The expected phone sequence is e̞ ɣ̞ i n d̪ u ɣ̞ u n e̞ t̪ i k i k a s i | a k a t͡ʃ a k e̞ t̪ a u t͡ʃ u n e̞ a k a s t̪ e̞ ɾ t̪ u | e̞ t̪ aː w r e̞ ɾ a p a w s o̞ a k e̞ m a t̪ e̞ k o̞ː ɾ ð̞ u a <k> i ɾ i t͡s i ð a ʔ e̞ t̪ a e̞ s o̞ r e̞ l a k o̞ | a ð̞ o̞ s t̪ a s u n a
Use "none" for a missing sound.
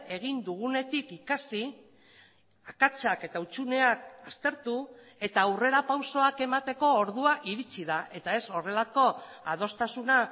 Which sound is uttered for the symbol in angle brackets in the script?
ʔ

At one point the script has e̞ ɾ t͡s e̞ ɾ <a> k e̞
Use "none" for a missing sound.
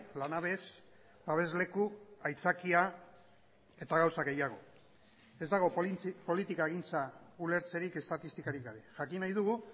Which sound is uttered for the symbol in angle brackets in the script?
i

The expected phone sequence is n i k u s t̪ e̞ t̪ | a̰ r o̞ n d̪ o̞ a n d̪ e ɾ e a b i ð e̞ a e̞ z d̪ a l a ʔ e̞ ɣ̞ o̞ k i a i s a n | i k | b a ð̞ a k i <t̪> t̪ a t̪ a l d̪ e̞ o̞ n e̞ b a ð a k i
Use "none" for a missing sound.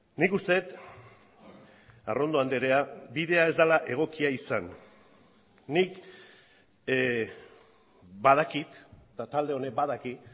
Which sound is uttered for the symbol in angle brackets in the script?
t̪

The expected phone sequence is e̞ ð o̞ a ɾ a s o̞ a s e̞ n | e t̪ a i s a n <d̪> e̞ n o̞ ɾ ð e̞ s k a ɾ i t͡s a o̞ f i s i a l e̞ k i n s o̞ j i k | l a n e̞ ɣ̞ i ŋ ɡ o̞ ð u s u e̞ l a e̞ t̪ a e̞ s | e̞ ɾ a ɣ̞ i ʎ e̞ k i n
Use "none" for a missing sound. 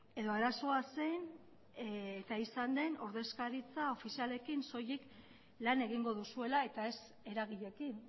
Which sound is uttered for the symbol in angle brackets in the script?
d̪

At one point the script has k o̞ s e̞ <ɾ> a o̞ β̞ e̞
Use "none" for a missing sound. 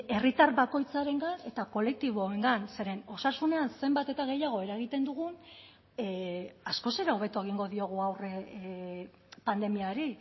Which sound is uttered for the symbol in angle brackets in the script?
ɾ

